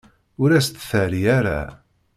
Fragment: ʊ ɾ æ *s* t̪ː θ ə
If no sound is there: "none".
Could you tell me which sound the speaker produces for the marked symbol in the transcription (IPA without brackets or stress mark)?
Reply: s